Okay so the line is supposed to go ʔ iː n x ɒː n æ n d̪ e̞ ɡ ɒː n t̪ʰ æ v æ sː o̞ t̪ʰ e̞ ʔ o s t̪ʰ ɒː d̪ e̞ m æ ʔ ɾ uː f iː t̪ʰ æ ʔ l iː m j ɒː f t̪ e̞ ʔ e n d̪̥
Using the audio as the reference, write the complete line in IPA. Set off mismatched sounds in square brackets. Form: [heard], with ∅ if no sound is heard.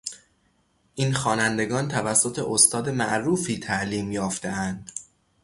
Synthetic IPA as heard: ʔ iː n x ɒː n æ n d̪ e̞ ɡ ɒː n t̪ʰ æ v æ sː o̞ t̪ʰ e̞ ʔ o s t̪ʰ ɒː d̪ e̞ m æ ʔ ɾ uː f iː t̪ʰ æ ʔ l iː m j ɒː f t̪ e̞ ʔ [æ] n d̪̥